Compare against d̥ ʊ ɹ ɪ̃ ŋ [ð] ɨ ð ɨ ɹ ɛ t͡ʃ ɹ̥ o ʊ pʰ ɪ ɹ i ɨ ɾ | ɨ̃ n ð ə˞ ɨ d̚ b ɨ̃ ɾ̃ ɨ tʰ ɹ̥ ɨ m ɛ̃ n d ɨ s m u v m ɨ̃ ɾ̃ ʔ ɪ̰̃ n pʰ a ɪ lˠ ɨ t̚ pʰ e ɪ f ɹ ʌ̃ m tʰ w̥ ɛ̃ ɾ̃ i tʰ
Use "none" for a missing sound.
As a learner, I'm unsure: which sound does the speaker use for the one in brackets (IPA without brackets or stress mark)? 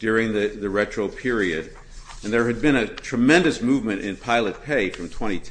ð